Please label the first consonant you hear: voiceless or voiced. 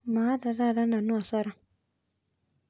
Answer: voiced